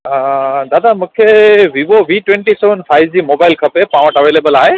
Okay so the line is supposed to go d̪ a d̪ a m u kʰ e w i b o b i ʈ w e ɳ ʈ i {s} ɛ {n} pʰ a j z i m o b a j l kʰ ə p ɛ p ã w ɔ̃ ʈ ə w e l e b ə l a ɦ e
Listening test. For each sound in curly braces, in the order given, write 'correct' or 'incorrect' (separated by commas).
correct, correct